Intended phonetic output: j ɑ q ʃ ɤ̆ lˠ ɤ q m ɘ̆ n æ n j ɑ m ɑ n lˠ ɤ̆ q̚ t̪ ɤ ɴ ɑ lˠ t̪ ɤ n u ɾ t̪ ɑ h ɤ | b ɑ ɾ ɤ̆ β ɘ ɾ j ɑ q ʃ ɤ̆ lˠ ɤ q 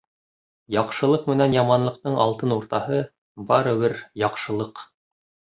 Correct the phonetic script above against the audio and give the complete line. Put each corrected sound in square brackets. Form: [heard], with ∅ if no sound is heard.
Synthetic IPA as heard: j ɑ q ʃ ɤ̆ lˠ ɤ q m ɘ̆ n æ n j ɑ m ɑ n lˠ ɤ̆ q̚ t̪ ɤ ɴ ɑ lˠ t̪ ɤ n u ɾ t̪ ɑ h ɤ | b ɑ ɾ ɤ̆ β ɘ ɾ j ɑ q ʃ ɤ̆ lˠ ɤ q